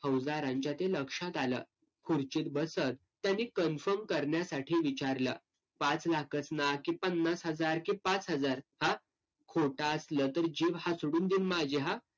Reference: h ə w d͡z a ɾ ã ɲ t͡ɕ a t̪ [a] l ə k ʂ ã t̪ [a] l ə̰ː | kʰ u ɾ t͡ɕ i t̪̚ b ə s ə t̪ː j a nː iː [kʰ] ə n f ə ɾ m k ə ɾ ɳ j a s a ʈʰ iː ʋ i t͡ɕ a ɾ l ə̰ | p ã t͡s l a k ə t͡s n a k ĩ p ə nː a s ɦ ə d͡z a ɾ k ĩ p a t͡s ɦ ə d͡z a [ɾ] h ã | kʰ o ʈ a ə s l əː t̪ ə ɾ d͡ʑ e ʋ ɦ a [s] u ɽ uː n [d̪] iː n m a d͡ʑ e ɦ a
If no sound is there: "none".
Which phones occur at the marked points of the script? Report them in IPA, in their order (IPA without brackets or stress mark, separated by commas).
e, a, k, ɾ, s, d̪